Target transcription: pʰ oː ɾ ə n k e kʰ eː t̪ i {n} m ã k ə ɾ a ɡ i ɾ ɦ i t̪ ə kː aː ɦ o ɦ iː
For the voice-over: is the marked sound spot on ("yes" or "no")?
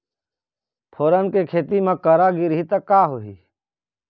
no